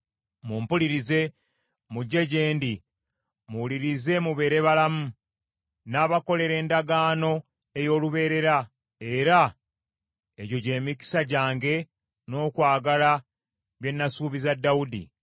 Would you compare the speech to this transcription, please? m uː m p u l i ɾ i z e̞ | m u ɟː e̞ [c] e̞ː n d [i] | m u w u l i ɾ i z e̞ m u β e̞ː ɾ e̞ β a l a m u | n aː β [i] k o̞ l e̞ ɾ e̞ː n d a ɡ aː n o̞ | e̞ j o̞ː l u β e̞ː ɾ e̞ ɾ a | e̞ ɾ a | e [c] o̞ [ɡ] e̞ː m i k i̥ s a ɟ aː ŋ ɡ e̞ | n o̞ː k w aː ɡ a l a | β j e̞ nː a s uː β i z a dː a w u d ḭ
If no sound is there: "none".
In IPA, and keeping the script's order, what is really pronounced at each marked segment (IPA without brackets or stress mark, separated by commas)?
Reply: ɟ, i, a, ɟ, ɟ